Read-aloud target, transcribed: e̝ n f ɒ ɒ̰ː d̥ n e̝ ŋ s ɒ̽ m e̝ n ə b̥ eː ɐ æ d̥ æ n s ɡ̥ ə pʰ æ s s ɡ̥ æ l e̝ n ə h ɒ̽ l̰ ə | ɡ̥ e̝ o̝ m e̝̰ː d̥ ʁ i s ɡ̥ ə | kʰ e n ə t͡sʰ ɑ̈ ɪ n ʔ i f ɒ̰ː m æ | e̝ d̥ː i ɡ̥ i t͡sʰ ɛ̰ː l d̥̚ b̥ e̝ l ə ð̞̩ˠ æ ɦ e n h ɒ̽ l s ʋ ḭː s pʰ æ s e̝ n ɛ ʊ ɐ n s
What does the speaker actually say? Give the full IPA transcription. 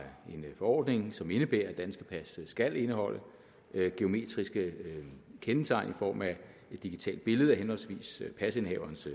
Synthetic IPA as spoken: e̝ n f ɒ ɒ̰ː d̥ n e̝ ŋ s ɒ̽ m e̝ n ə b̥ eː ɐ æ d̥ æ n s ɡ̥ ə pʰ æ s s ɡ̥ æ l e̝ n ə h ɒ̽ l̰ ə | ɡ̥ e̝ o̝ m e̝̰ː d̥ ʁ i s ɡ̥ ə | kʰ e n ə t͡sʰ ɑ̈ ɪ n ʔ i f ɒ̰ː m æ | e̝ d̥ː i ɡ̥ i t͡sʰ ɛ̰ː l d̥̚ b̥ e̝ l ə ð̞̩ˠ æ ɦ e n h ɒ̽ l s ʋ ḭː s pʰ æ s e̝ n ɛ ʊ ɐ n s